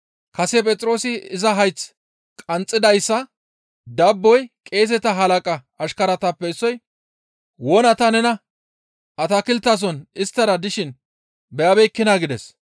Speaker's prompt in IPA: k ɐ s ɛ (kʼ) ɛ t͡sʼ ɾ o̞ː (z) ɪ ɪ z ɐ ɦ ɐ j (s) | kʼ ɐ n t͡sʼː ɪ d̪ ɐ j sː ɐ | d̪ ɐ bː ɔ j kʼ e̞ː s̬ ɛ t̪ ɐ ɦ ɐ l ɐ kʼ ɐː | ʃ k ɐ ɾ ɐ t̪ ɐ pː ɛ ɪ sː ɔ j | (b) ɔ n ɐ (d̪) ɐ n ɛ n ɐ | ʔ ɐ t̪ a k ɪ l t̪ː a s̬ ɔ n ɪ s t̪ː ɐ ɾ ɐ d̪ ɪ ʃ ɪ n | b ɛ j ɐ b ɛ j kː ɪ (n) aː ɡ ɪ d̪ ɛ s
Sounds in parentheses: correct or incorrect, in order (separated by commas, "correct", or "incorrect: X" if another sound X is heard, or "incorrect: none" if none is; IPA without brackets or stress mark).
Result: incorrect: pʼ, incorrect: s, incorrect: t͡s, incorrect: w, incorrect: t̪, correct